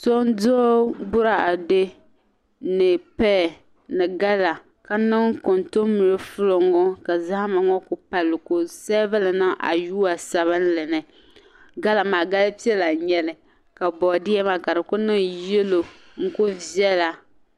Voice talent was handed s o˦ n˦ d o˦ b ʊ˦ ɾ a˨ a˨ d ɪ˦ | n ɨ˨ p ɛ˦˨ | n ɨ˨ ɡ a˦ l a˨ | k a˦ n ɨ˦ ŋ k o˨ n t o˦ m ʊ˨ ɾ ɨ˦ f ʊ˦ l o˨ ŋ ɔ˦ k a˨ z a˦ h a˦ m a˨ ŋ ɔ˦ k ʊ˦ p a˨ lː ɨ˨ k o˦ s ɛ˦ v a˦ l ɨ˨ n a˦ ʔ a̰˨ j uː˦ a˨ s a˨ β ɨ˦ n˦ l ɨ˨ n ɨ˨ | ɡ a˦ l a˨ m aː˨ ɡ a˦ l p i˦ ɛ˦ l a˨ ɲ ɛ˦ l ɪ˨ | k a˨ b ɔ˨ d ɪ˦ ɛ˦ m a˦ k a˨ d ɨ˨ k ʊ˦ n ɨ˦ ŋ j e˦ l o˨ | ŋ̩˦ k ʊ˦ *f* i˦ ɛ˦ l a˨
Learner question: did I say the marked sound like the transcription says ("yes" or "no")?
no